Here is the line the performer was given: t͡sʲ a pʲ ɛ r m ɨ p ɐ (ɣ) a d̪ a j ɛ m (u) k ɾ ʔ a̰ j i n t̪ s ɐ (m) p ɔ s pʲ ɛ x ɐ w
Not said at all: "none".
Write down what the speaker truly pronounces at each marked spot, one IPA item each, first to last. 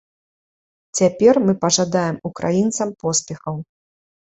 ʐ, u, m

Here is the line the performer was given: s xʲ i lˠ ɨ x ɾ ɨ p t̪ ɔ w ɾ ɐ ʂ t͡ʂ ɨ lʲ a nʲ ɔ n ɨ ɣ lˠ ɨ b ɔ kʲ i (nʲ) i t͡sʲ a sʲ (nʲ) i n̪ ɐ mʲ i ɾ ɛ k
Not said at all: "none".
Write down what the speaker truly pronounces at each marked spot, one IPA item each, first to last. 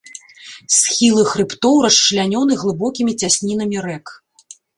mʲ, nʲ

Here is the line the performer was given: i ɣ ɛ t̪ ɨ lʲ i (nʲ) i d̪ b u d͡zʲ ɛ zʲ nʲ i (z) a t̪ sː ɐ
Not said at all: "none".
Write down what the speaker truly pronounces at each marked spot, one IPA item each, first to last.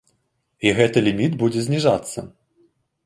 mʲ, ʐ

